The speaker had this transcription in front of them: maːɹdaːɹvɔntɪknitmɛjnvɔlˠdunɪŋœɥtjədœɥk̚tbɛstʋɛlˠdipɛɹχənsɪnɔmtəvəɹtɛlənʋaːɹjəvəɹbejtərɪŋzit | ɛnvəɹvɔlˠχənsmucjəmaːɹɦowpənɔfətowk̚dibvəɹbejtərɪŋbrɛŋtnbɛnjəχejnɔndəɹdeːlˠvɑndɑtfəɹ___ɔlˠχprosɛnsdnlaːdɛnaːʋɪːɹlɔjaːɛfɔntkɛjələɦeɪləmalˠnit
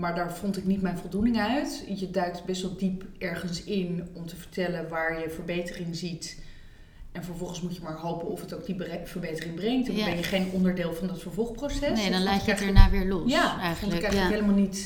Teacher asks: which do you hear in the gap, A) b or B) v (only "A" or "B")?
B